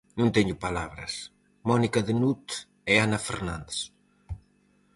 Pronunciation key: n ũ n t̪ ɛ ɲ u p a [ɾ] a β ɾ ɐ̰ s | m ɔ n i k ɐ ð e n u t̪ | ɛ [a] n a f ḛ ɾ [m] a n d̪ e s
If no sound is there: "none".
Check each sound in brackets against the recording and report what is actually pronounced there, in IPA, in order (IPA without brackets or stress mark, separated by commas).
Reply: l, a, n